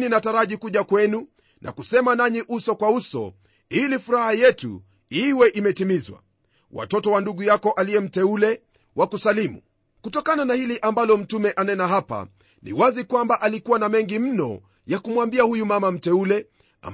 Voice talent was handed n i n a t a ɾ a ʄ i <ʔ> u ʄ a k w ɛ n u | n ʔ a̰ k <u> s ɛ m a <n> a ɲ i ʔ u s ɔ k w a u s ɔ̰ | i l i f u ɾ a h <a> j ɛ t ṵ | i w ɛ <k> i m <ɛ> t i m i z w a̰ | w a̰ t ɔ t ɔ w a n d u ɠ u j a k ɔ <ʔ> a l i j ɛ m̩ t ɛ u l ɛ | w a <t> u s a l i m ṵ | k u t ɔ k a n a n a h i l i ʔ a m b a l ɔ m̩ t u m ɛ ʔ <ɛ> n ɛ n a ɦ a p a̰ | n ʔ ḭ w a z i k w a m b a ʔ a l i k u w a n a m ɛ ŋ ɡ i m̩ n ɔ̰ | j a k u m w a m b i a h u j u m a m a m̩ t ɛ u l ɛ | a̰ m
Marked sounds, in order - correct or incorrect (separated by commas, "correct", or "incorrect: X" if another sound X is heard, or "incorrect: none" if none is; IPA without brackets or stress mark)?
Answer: incorrect: k, correct, correct, correct, incorrect: ʔ, correct, correct, incorrect: k, incorrect: a